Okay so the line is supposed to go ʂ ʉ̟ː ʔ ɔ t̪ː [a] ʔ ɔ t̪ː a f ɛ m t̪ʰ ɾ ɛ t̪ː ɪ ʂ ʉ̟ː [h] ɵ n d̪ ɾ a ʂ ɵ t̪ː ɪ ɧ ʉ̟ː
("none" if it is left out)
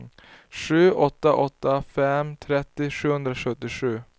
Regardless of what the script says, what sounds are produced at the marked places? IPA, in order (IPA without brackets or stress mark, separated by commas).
a, h